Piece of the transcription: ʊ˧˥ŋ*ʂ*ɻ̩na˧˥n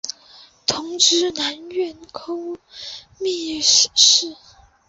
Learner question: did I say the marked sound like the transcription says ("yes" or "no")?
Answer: no